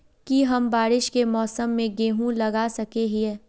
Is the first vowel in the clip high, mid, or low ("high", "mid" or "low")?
high